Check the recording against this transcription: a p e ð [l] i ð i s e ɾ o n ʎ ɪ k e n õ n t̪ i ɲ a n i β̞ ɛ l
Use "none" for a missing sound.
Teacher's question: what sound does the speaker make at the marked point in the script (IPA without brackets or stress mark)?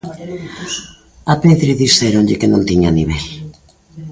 ɾ